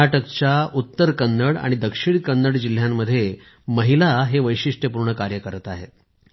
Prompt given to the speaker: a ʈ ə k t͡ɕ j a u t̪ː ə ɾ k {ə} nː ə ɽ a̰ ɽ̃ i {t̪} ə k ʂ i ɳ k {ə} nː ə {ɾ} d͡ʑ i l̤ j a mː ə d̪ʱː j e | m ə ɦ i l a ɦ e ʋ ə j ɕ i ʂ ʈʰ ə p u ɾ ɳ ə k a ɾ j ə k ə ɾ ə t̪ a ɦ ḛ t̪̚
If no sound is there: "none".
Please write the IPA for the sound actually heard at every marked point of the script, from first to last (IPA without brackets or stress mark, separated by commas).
ə, d̪, ə, ɽ